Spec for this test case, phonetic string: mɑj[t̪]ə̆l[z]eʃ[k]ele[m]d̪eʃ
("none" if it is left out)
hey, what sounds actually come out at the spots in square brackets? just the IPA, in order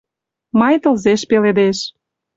t̪, z, p, none

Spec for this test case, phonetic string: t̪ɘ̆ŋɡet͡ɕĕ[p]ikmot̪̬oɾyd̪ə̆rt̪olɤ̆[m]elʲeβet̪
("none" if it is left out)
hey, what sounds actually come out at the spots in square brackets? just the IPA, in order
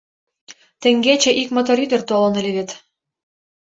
ʔ, n

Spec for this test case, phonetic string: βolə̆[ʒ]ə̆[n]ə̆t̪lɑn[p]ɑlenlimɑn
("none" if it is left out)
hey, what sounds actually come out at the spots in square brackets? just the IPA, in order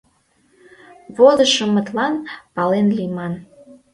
ʃ, m, p

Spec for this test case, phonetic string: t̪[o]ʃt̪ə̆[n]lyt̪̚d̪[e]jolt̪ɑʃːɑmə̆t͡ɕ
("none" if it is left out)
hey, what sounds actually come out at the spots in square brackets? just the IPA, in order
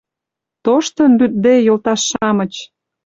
o, n, e

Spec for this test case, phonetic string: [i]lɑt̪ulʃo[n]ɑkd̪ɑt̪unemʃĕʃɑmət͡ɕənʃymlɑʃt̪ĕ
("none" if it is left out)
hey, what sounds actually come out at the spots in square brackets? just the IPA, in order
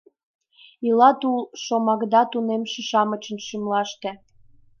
i, m

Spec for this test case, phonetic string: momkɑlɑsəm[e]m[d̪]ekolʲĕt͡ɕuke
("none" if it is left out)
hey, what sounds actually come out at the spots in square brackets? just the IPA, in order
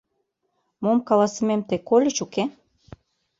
e, t̪

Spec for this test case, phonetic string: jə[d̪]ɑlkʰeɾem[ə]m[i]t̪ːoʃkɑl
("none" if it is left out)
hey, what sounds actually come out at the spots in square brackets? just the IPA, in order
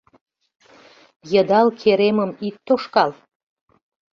d̪, ə, i

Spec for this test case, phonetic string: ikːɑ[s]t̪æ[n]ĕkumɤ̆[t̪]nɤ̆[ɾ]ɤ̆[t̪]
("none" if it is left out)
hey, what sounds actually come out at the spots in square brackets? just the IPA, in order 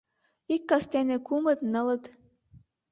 s, n, t̪, l, t̪

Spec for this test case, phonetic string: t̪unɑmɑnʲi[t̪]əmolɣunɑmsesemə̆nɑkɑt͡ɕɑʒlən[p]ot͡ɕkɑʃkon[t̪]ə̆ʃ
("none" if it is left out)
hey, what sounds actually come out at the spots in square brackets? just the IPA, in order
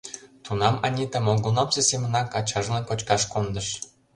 t̪, k, d̪

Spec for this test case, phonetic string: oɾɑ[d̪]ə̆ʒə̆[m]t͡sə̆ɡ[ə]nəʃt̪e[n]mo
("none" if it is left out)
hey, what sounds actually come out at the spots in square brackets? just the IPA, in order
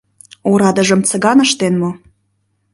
d̪, m, ɑ, n

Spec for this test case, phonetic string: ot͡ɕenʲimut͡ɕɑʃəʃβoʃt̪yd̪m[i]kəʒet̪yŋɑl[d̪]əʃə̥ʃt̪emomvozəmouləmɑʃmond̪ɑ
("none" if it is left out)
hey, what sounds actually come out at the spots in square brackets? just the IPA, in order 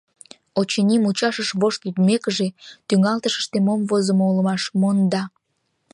e, t̪

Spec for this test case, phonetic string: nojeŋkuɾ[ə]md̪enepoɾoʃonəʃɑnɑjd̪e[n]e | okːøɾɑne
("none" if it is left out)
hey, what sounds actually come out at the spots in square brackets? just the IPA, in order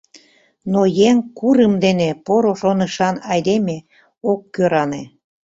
ə, m

